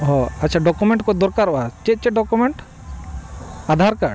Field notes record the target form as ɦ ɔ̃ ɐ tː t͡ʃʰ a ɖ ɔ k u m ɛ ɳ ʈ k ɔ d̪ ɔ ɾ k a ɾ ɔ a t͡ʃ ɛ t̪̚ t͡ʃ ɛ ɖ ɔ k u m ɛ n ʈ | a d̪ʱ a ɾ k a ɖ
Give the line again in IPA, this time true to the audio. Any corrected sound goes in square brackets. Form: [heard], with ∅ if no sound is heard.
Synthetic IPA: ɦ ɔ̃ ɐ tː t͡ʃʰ a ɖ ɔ k u m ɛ ɳ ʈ k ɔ d̪ ɔ ɾ k a ɾ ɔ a t͡ʃ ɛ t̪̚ t͡ʃ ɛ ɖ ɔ k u m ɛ [ɳ] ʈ | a d̪ʱ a ɾ k a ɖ